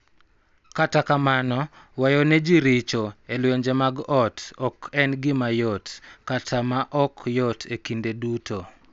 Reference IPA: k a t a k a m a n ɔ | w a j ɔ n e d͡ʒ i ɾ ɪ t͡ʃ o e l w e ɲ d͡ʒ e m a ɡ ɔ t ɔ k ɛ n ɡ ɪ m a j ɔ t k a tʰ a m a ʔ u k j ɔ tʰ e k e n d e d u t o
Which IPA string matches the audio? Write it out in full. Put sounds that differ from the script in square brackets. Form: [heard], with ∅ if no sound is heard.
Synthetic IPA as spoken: k a t a k a m a n ɔ | w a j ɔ n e d͡ʒ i ɾ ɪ t͡ʃ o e l w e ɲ d͡ʒ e m a ɡ ɔ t ɔ k ɛ n ɡ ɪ m a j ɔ t k a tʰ a m a ʔ [ɔ] k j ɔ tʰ e k [i] n d e d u t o